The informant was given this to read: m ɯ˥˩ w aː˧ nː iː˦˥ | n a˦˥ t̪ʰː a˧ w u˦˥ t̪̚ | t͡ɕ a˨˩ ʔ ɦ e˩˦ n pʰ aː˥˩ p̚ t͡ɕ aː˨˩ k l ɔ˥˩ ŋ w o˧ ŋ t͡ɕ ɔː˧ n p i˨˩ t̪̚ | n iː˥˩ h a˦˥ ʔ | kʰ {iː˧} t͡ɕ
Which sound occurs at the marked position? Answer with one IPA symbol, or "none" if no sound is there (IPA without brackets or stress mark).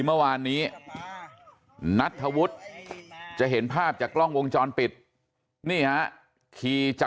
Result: iː˧